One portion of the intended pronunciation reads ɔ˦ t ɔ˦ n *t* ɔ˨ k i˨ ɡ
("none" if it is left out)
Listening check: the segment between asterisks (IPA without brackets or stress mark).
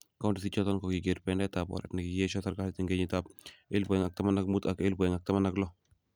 k